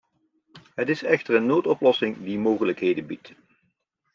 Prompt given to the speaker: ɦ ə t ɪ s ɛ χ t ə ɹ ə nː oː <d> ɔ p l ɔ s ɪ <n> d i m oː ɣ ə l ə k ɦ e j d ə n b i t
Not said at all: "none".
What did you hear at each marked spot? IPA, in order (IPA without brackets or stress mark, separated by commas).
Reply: t, ŋ